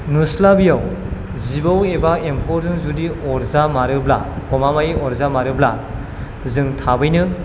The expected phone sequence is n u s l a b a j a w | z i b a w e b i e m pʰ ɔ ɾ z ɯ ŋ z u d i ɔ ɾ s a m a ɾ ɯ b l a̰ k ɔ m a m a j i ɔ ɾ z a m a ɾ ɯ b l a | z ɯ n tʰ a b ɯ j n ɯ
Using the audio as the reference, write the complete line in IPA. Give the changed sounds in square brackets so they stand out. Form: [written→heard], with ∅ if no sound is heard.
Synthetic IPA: n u s l a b [a→i] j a w | z i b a w e b [i→a] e m pʰ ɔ ɾ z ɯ ŋ z u d i ɔ ɾ [s→z] a m a ɾ ɯ b l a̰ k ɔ m a m a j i ɔ ɾ z a m a ɾ ɯ b l a | z ɯ [n→ŋ] tʰ a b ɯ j n ɯ